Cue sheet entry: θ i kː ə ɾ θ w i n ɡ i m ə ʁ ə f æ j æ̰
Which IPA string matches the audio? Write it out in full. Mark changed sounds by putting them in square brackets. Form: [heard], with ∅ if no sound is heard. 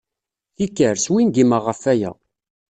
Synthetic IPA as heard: θ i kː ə ɾ [s] w i n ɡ i m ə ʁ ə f æ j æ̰